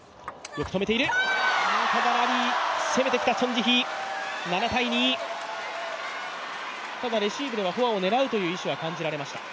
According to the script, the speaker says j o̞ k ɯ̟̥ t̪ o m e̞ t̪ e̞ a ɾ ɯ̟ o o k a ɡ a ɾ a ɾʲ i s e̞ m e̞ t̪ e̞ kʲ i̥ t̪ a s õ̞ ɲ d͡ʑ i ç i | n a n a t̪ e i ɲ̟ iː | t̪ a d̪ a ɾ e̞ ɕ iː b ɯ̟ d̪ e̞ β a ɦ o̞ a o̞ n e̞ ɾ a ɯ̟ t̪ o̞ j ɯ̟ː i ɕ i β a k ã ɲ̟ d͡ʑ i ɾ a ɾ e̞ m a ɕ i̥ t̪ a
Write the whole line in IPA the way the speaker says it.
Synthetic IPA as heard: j o̞ k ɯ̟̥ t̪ o m e̞ t̪ e̞ i ɾ ɯ̟ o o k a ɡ a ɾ a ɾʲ i s e̞ m e̞ t̪ e̞ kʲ i̥ t̪ a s õ̞ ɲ d͡ʑ i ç i | n a n a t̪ a i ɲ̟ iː | t̪ a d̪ a ɾ e̞ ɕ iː b ɯ̟ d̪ e̞ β a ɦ o̞ a o̞ n e̞ ɾ a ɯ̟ t̪ o̞ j ɯ̟ː i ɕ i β a k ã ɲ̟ d͡ʑ i ɾ a ɾ e̞ m a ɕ i̥ t̪ a